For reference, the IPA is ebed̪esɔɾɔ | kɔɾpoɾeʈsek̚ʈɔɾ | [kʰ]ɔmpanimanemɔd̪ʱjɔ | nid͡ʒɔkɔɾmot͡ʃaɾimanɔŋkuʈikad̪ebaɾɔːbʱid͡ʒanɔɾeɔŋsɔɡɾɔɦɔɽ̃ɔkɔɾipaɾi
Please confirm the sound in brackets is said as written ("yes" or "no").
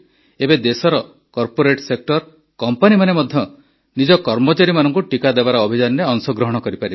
no